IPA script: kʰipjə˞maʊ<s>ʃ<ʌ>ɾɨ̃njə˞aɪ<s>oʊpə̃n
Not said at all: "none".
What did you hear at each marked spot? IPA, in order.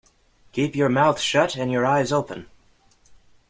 θ, ʌ, z

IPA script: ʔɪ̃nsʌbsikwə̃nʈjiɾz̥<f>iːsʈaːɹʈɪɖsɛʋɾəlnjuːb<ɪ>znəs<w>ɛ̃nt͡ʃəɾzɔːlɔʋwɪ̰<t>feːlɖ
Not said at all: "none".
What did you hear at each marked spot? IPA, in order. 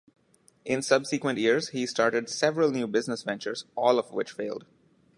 h, ɪ, ʋ, t͡ʃ

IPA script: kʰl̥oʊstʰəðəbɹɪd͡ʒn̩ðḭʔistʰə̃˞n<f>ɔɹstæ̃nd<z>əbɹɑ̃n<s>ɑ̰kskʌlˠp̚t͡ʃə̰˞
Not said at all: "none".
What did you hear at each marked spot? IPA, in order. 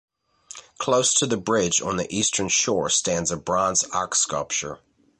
ʃ, z, z

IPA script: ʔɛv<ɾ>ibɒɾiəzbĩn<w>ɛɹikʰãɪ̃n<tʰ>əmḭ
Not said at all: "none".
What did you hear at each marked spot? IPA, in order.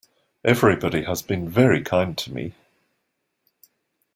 ɹ, v, tʰ

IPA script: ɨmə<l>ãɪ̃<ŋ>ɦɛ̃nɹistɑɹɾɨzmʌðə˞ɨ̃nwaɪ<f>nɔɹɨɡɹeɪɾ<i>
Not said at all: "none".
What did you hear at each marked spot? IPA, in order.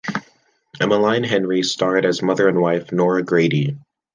l, n, f, i

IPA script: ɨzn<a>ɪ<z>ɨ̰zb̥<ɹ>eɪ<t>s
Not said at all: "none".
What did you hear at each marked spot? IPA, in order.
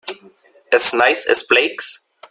a, s, l, k

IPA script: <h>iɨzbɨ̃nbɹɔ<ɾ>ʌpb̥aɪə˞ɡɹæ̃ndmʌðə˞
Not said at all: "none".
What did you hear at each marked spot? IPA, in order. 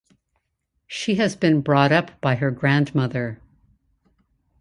ʃ, ɾ

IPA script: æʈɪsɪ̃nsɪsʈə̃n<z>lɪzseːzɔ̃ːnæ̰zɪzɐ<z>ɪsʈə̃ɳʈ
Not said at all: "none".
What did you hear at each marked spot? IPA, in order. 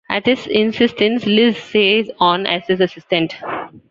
s, s

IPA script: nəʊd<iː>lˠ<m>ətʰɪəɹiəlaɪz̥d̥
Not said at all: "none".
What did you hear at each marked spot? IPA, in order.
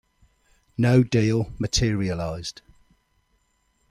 iː, m

